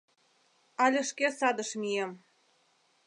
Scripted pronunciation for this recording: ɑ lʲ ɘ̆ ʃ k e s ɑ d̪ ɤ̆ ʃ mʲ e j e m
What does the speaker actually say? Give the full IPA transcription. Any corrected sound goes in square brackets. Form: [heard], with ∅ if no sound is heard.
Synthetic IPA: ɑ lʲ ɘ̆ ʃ k e s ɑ d̪ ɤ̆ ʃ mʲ [i] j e m